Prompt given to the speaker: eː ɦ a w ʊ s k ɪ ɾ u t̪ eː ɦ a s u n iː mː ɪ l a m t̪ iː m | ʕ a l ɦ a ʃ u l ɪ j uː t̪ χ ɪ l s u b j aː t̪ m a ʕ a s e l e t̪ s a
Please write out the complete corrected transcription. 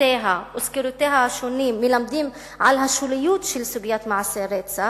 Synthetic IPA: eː ɦ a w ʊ s k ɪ ɾ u t̪ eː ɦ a ʃ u n iː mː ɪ l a m d̪ iː m | ʕ a l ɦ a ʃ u l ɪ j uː t̪ ʃ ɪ l s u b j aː t̪ m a ʕ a s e ɾ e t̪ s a